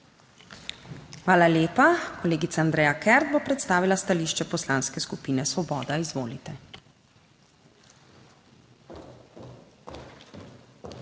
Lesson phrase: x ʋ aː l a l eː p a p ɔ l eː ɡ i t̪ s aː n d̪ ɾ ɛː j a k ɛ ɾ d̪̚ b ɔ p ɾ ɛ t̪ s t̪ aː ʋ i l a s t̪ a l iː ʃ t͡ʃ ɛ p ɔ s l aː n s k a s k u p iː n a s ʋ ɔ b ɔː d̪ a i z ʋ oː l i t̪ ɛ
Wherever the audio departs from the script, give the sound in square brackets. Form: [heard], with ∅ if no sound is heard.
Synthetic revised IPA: x ʋ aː l a l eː p a [k] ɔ l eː ɡ i t̪ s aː n d̪ ɾ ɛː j a k ɛ ɾ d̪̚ b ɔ p ɾ ɛ t̪ s t̪ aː ʋ i l a s t̪ a l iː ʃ t͡ʃ ɛ p ɔ s l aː n s k [ɛ] s k u p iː n [ɛ] s ʋ ɔ b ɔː d̪ a i z ʋ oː l i t̪ ɛ